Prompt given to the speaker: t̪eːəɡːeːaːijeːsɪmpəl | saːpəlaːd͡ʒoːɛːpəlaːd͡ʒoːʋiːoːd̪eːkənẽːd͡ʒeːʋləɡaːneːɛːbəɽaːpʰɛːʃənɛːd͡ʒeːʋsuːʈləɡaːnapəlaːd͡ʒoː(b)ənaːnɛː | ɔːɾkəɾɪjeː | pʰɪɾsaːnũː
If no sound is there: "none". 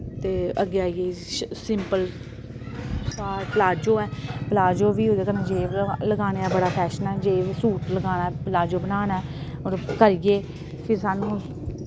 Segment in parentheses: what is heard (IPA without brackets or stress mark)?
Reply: b